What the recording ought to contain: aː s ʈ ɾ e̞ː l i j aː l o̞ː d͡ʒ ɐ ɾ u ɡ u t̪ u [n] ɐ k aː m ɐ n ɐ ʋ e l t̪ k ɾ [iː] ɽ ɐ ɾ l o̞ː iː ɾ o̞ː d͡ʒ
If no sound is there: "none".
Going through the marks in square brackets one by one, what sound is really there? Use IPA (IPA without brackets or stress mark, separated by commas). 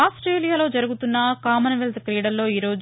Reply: nː, iː